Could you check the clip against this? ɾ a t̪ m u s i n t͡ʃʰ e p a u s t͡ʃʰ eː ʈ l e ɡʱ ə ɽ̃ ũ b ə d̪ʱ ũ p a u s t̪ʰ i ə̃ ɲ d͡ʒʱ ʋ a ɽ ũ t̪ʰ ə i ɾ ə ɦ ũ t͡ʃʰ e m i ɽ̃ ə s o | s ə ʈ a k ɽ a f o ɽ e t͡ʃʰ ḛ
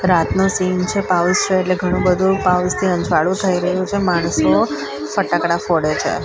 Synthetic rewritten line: ɾ a t̪ n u s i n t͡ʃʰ e p a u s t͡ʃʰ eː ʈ l e ɡʱ ə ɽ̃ ũ b ə d̪ʱ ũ p a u s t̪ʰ i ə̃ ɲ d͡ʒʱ ʋ a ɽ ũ t̪ʰ ə i ɾ ə ɦ ũ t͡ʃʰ e m a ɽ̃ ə s o | f ə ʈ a k ɽ a f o ɽ e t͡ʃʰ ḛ